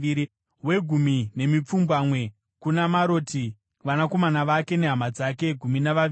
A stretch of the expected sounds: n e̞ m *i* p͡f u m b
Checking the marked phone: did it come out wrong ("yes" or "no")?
no